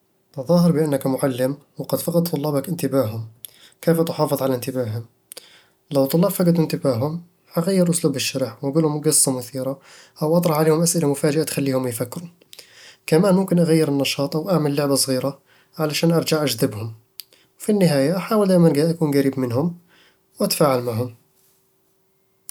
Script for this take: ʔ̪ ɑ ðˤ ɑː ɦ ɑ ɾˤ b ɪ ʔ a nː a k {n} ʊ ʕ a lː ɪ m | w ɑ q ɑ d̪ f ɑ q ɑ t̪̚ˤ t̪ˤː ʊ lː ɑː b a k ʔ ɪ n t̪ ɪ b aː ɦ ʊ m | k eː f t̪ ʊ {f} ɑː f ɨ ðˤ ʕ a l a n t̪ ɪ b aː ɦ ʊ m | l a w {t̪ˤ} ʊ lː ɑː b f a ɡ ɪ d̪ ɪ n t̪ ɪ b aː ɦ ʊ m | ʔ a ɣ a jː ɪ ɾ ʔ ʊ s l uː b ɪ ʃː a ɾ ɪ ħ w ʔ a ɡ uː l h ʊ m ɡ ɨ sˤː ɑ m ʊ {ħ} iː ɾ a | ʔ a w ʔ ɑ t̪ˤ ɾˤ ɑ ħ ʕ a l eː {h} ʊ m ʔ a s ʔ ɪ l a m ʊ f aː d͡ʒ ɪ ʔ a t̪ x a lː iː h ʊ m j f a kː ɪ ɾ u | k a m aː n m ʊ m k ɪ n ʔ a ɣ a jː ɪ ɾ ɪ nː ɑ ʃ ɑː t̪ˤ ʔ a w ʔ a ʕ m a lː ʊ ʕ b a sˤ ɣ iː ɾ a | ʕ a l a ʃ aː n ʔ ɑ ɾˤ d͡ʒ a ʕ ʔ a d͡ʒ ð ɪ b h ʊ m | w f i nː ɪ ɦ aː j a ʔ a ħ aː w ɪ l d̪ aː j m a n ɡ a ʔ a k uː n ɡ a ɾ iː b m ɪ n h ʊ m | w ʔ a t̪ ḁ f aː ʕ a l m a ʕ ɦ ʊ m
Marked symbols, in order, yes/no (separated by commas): no, no, yes, no, yes